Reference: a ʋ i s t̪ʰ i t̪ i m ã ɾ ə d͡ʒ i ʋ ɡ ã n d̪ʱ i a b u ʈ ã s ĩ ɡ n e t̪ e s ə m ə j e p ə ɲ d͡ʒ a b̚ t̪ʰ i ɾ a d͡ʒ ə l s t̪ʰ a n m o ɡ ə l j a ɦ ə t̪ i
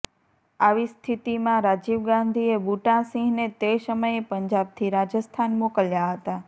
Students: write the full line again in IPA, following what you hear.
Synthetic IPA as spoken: a ʋ i s t̪ʰ i t̪ i m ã ɾ a d͡ʒ i ʋ ɡ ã n d̪ʱ i e b u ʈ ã s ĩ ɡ n e t̪ e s ə m ə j e p ə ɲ d͡ʒ a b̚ t̪ʰ i ɾ a d͡ʒ ə s t̪ʰ a n m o k ə l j a ɦ ə t̪ a